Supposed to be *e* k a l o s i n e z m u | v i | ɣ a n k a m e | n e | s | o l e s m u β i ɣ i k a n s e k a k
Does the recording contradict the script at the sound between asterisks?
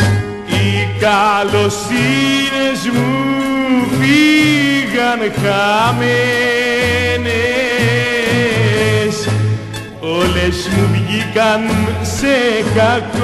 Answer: yes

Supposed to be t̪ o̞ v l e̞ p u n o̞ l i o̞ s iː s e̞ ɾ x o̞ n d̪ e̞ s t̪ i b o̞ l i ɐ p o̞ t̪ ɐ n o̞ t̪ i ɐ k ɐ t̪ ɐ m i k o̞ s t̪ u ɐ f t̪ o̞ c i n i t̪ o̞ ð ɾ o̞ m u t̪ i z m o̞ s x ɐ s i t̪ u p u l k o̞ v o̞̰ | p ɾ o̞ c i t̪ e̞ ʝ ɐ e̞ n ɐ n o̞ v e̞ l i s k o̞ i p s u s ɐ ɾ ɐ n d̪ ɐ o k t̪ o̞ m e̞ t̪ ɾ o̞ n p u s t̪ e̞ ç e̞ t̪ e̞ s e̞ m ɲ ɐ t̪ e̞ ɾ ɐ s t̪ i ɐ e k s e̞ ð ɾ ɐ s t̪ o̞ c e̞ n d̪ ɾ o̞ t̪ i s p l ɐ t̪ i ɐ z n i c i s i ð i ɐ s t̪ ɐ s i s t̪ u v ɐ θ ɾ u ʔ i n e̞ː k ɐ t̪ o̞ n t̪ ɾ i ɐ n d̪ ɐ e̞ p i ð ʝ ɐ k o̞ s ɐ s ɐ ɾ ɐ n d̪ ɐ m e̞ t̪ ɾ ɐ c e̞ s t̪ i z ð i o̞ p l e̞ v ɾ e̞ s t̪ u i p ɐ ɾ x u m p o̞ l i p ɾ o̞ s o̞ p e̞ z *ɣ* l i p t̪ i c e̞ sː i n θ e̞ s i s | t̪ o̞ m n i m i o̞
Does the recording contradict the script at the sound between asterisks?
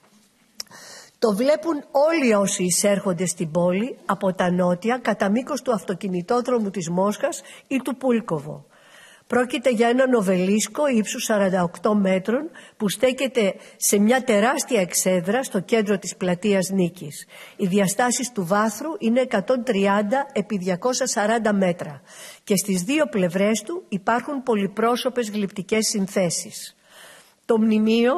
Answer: no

